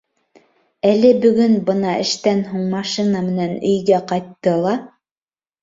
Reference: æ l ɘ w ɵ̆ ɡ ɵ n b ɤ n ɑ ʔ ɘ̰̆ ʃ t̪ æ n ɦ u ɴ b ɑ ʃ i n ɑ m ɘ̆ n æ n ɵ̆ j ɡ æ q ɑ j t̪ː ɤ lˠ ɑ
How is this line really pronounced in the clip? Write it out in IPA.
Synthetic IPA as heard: æ l ɘ b ɵ̆ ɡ ɵ n b ɤ n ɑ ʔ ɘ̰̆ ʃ t̪ æ n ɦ u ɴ m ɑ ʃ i n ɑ m ɘ̆ n æ n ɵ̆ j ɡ æ q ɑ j t̪ː ɤ lˠ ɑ